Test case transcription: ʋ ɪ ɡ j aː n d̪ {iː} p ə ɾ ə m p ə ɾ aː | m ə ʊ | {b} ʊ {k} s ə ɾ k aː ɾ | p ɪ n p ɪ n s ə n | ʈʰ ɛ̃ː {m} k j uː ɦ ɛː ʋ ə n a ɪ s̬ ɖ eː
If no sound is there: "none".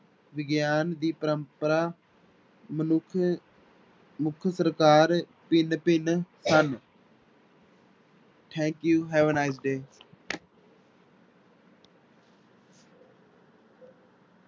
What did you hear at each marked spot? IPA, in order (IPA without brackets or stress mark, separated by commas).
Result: iː, m, kʰ, ŋ